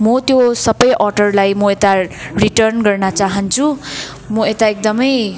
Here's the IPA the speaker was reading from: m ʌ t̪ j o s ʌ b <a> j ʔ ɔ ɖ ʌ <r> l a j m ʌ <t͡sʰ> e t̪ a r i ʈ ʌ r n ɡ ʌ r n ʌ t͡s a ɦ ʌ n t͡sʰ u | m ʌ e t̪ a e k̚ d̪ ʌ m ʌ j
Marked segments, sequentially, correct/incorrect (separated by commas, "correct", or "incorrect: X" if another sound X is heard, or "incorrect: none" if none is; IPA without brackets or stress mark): incorrect: ʌ, correct, incorrect: none